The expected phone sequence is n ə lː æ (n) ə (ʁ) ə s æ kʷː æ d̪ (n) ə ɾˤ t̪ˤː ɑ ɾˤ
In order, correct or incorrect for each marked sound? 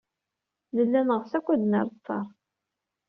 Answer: correct, correct, correct

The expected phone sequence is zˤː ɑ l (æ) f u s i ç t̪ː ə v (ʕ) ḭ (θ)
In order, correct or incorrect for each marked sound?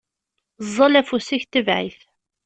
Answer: correct, correct, correct

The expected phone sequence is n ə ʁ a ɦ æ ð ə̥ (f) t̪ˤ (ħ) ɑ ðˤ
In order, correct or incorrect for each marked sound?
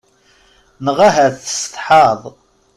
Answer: incorrect: s, correct

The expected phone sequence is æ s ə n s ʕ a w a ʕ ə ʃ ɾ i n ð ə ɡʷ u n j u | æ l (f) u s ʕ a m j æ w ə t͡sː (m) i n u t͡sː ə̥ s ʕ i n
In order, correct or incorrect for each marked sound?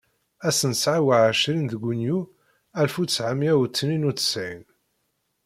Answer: correct, incorrect: n

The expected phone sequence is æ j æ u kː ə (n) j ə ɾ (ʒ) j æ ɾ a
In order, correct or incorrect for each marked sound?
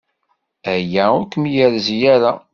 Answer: incorrect: m, incorrect: z

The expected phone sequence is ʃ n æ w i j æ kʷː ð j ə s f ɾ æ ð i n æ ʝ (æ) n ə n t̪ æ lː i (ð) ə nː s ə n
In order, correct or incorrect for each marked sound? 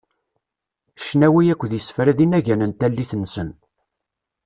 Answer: correct, incorrect: θ

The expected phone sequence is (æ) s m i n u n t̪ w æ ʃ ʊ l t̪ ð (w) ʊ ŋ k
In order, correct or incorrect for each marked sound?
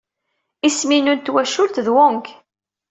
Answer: incorrect: i, correct

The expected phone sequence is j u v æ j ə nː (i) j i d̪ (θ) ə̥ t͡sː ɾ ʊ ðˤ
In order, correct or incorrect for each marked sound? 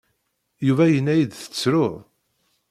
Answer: incorrect: æ, correct

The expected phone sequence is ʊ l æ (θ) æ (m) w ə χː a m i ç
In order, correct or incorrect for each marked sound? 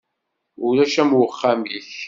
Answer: incorrect: ʃ, correct

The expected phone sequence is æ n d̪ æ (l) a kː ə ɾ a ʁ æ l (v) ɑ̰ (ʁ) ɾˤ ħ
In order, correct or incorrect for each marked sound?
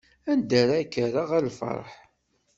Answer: incorrect: ɾ, incorrect: f, incorrect: none

